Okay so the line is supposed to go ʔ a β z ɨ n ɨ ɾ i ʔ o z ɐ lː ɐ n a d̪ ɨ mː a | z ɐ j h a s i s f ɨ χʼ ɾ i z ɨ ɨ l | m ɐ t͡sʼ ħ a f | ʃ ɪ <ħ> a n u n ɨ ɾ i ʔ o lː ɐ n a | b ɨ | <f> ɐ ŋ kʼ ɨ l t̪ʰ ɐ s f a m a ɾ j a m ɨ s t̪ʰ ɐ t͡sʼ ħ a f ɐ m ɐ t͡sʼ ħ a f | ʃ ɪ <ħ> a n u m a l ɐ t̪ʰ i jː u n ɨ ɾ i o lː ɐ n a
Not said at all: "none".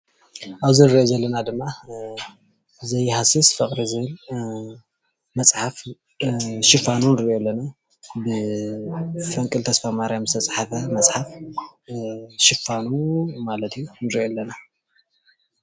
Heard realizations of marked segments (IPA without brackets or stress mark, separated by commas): f, f, f